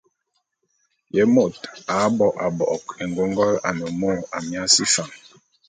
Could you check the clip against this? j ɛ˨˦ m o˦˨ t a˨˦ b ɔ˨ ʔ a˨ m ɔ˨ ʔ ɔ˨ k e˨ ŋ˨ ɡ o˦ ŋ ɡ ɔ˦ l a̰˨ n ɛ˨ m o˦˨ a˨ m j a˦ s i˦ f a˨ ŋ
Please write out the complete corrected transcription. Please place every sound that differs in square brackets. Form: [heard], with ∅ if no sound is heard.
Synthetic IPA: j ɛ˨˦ m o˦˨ t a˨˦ b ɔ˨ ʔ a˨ [b] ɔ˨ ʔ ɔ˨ k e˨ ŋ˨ ɡ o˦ ŋ ɡ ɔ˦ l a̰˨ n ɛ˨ m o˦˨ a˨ m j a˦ s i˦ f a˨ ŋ

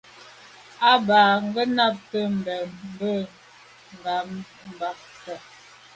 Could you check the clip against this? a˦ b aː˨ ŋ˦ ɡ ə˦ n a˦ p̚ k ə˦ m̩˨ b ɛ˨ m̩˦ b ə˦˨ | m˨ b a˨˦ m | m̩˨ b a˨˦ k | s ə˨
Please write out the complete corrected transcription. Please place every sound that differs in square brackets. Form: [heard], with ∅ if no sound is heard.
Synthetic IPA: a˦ b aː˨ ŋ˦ ɡ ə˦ n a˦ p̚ [t] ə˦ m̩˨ b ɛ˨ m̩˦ b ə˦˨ | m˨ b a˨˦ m | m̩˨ b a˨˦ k | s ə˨

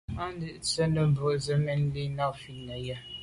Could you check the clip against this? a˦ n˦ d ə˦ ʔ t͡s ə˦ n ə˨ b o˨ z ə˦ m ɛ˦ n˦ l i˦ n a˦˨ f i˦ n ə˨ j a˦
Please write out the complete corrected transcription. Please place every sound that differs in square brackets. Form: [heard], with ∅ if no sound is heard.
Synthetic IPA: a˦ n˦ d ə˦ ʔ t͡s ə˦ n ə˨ b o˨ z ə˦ m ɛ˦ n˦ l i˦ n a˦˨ f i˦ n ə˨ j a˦

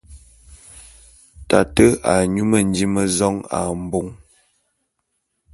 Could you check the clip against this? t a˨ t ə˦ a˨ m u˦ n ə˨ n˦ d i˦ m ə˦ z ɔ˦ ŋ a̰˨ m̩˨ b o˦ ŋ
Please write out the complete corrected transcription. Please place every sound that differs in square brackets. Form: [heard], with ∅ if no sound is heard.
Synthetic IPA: t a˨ t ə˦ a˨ [ɲ] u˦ [m] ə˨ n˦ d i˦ m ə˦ z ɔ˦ ŋ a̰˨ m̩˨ b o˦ ŋ

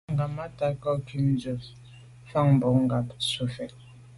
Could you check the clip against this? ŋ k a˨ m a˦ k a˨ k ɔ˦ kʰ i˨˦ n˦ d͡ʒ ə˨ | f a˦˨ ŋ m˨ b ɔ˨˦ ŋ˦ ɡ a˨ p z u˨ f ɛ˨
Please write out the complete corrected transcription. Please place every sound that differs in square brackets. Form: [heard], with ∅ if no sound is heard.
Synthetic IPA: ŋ [ɡ] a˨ m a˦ [t] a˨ k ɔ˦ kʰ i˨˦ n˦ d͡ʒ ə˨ | f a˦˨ ŋ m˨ b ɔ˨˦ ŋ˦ ɡ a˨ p [s] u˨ f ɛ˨

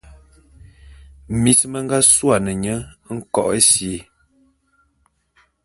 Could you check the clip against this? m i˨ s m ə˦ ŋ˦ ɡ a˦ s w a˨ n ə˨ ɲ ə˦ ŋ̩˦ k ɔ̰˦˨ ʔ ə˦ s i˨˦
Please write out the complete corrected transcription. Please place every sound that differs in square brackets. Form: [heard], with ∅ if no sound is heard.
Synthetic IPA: m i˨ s m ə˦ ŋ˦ ɡ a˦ s w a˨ n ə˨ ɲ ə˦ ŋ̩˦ k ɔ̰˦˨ ʔ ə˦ s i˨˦

